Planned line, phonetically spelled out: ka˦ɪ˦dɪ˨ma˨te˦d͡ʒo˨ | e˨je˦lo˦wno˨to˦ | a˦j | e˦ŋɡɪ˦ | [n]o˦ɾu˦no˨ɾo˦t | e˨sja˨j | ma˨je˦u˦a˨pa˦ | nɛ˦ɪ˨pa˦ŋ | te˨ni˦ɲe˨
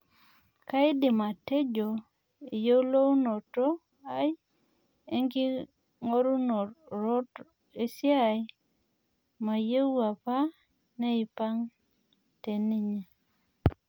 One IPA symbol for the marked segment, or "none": ŋ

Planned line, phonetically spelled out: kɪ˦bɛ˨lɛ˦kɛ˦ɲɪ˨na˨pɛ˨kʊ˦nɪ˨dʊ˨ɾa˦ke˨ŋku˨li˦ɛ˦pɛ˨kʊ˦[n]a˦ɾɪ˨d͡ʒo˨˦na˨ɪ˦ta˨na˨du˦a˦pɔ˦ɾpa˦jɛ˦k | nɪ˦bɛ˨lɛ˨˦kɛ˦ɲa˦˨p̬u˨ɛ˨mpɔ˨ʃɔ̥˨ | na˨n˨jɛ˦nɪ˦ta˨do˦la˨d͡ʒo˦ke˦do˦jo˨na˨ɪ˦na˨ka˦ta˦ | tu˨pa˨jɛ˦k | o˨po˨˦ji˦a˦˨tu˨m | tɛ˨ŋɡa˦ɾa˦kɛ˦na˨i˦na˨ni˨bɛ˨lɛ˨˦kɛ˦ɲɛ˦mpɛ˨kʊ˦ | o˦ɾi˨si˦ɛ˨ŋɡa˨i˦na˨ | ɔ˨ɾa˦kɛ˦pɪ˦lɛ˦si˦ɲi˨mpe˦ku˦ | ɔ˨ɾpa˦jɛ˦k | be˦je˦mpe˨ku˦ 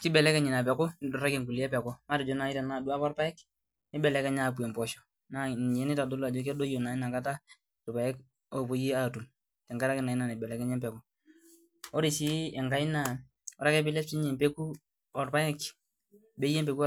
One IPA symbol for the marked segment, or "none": m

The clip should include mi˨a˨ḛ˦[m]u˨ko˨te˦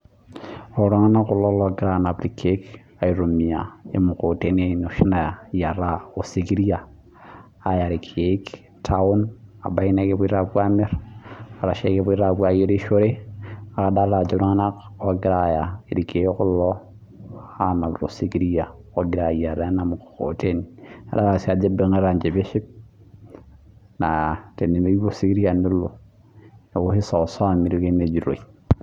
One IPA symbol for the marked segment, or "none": m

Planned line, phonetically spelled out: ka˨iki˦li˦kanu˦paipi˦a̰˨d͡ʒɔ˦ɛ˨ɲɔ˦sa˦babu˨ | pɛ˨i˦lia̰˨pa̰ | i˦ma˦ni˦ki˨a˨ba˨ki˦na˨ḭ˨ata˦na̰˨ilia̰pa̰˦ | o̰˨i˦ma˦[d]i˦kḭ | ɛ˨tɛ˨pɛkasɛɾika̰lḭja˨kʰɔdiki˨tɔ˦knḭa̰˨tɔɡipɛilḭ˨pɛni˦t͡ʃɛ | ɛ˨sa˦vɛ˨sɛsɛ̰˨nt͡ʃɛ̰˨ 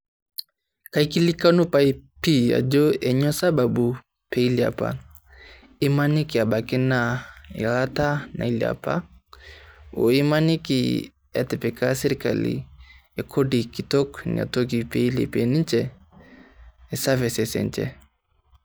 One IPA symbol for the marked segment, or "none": n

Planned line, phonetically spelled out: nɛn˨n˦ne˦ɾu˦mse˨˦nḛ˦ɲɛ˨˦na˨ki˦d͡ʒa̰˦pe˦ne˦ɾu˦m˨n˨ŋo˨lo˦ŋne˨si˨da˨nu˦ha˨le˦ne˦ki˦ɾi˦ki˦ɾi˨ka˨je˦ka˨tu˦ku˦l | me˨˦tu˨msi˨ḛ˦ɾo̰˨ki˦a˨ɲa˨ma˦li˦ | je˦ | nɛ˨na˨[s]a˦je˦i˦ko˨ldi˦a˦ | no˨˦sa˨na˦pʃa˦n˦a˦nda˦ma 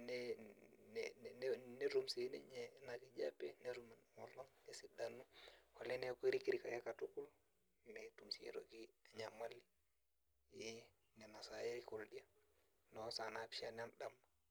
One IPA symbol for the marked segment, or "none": s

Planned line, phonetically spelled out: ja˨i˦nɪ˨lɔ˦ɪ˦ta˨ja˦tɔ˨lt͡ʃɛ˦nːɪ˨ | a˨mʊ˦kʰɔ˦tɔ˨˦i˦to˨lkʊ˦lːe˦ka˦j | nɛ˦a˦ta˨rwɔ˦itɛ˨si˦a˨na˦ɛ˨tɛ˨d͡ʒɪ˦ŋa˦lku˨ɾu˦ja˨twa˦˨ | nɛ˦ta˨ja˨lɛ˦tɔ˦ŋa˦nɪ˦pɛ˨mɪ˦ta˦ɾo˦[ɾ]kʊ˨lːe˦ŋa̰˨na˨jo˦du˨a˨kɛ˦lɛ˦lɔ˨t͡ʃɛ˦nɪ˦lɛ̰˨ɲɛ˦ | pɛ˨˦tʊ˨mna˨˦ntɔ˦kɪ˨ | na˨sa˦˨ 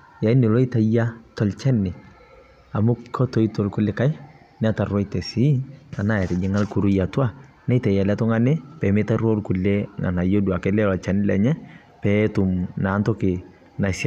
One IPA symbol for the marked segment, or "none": l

